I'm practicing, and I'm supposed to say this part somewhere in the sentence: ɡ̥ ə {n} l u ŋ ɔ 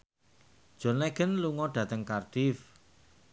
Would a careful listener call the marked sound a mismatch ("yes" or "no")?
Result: no